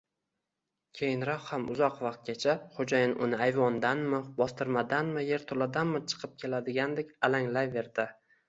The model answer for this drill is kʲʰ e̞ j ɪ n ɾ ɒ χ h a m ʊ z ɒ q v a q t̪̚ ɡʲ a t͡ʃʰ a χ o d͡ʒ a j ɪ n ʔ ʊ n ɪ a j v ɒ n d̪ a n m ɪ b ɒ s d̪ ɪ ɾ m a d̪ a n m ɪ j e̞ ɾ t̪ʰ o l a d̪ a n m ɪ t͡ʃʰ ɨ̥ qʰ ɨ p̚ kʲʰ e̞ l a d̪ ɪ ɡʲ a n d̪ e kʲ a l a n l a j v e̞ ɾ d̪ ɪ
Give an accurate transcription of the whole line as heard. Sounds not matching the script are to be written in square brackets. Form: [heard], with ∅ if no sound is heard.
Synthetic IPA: kʲʰ e̞ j ɪ n ɾ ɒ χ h a m ʊ z ɒ q v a q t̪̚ ɡʲ a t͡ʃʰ a χ o d͡ʒ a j ɪ n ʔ ʊ n ɪ a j v ɒ n d̪ a n m ɪ b ɒ s [t̪] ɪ ɾ m a d̪ a n m ɪ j e̞ ɾ t̪ʰ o l a d̪ a n m ɪ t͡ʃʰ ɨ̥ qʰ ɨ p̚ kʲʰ e̞ l a d̪ ɪ ɡʲ a n d̪ e kʲ a l a [ŋ] l a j v e̞ ɾ d̪ ɪ